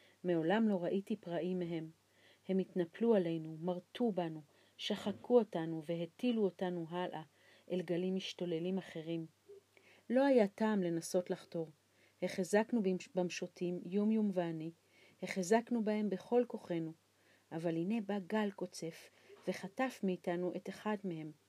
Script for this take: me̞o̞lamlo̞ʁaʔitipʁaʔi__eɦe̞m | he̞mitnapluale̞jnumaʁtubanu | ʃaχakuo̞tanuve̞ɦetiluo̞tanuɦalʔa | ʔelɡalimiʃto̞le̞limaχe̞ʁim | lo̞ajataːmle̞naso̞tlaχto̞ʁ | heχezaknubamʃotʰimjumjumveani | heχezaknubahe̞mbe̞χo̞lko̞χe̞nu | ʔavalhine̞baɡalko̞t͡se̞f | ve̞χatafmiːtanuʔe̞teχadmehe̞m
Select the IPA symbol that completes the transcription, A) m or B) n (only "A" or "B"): A